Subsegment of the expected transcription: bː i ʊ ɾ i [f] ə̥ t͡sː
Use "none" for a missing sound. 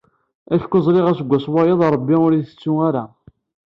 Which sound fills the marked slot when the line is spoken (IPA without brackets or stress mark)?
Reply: θ